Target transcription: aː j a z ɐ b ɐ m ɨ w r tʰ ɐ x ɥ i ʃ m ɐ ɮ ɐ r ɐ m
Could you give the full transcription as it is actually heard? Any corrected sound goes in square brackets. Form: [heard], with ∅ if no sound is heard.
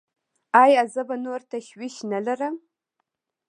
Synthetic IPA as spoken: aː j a z ɐ b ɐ [n] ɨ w r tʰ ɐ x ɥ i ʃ [n] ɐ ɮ ɐ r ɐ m